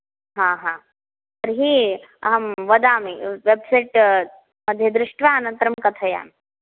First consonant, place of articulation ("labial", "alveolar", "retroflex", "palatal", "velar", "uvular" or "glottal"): glottal